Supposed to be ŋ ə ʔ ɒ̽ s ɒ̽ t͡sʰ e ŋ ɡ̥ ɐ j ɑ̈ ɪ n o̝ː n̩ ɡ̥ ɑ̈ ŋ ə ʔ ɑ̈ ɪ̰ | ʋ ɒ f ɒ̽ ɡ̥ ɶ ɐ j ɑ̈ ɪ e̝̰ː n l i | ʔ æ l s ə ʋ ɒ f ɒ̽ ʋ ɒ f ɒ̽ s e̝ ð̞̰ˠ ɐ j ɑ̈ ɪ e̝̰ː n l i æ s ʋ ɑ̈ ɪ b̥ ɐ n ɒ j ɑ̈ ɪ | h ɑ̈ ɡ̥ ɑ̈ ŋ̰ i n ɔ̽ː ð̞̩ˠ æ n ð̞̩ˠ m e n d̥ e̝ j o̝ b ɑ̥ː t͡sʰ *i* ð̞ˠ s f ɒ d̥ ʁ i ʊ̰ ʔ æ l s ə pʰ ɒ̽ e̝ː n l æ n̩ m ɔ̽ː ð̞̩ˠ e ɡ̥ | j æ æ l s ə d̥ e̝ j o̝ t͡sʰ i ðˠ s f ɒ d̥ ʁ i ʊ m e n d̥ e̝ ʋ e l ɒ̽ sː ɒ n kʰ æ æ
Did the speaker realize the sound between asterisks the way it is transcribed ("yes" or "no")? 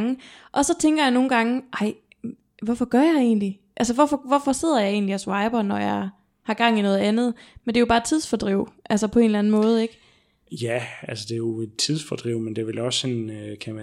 yes